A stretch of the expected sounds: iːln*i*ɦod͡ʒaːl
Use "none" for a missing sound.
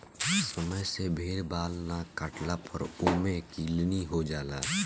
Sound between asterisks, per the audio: i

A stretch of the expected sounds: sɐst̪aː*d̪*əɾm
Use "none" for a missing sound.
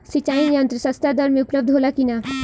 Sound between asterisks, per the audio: d̪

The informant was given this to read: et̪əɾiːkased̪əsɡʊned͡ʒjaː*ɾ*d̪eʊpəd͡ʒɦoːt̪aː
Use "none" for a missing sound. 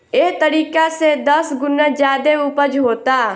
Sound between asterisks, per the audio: none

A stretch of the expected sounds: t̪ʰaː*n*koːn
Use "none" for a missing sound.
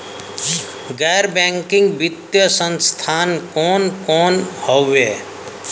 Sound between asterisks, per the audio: n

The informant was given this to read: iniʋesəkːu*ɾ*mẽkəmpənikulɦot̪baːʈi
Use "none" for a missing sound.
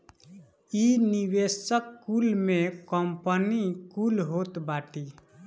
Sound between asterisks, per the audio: l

